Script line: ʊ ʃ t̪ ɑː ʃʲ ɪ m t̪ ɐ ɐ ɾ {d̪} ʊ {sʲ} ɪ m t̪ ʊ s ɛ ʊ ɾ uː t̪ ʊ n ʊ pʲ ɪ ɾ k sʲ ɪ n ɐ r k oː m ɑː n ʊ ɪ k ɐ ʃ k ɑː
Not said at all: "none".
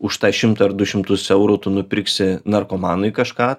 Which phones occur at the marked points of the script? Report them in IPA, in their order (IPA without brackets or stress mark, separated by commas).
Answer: d̪, ʃʲ